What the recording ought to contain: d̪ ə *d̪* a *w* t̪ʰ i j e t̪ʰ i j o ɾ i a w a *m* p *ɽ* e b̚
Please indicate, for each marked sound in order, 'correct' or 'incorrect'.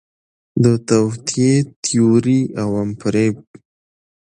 incorrect, correct, correct, incorrect

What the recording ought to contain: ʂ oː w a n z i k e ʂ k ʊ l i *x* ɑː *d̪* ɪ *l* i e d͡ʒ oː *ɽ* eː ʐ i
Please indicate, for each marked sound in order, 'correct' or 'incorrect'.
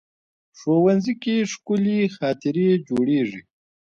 correct, incorrect, incorrect, correct

